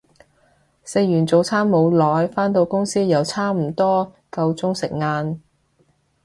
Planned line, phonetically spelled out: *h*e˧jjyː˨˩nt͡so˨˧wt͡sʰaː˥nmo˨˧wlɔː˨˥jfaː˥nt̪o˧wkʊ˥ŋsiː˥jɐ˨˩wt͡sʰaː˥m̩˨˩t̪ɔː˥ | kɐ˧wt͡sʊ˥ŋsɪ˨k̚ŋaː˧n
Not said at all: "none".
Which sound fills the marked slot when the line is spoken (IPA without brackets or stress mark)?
s